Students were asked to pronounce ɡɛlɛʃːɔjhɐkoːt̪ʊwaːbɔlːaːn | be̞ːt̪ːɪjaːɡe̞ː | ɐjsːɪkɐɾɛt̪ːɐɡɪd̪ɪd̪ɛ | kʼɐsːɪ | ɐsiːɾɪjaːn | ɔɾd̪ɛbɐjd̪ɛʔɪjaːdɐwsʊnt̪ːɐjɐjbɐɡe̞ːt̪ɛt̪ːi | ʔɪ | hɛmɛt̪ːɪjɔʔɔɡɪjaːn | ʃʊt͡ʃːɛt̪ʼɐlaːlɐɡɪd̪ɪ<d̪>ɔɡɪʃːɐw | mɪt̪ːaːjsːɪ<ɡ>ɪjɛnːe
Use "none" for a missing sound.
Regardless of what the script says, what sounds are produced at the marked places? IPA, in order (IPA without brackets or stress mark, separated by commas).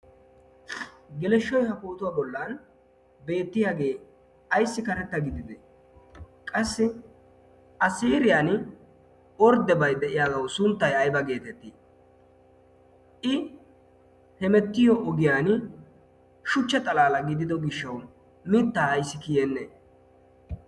d̪, k